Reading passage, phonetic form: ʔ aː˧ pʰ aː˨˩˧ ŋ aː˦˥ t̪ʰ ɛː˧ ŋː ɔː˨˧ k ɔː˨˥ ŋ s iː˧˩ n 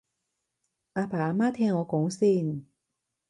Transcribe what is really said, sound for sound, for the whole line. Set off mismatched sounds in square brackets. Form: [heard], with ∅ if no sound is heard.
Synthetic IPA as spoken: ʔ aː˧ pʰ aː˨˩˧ [m] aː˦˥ t̪ʰ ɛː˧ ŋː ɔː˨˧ k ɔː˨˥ ŋ s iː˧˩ n